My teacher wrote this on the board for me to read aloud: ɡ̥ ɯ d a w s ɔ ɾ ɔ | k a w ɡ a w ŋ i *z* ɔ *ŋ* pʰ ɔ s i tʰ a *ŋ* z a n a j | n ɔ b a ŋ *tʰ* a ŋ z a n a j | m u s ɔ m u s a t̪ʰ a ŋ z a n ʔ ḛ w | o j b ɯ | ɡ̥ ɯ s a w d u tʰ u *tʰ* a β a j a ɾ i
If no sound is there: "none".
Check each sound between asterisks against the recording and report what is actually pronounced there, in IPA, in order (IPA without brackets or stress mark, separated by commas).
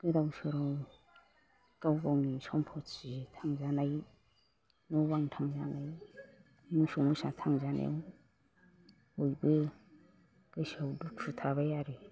s, m, ŋ, tʰ, tʰ